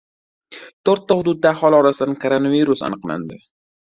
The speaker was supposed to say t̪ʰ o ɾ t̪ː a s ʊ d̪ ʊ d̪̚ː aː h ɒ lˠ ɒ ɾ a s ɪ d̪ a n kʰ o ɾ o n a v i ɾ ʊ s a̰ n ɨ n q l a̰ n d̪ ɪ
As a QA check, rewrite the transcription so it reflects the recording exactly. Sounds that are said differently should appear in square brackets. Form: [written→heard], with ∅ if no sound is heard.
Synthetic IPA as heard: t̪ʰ o ɾ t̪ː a [s→h] ʊ d̪ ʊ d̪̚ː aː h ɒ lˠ ɒ ɾ a s ɪ d̪ a n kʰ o ɾ o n a v i ɾ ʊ s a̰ n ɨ [n→∅] q l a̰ n d̪ ɪ